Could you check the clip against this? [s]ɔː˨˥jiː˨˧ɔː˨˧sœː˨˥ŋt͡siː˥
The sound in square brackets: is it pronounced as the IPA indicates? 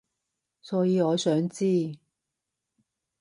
yes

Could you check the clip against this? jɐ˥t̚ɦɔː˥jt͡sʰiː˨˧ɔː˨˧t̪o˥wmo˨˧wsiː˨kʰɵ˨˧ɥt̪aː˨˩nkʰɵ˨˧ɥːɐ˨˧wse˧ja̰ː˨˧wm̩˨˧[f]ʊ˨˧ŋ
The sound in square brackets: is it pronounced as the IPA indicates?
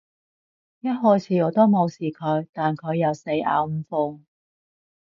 yes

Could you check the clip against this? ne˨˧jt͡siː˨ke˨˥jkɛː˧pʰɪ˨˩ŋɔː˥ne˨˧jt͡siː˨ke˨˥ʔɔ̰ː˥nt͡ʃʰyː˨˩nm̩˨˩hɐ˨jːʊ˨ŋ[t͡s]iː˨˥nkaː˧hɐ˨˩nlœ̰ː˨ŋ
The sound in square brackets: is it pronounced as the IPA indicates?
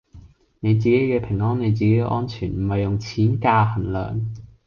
no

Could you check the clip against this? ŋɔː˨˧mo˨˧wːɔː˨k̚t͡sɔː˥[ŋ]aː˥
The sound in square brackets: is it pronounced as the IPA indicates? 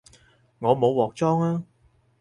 yes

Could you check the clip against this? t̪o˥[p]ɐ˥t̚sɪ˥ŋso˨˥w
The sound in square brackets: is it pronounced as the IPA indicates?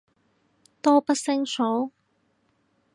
yes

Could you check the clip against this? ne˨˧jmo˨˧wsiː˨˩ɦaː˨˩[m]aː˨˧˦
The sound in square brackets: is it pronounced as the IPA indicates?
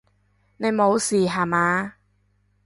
yes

